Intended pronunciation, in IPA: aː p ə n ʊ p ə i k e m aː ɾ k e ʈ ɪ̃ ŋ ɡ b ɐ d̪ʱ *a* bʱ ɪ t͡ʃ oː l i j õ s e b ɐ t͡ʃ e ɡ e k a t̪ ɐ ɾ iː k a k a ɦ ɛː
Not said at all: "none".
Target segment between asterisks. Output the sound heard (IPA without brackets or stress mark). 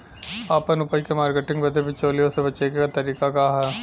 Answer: e